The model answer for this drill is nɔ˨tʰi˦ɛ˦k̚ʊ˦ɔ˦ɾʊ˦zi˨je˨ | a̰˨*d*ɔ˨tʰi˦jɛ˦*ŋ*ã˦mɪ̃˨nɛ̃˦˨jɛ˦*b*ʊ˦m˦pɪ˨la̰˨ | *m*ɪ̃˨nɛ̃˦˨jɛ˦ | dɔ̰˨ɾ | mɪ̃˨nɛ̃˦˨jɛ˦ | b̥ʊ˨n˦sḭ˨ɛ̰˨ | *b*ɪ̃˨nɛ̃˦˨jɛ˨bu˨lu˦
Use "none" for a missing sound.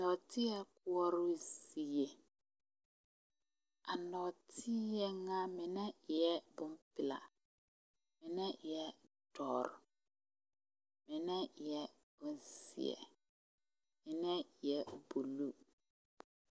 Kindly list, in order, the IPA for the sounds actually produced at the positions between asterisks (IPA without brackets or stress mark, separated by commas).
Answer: n, ŋ, b, m, m